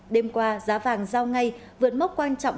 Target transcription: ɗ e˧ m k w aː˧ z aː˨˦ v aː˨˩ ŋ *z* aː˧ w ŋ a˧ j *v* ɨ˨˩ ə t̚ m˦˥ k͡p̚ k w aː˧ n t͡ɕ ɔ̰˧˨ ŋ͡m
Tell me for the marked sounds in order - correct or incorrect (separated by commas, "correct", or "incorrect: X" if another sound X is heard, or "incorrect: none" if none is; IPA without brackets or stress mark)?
correct, correct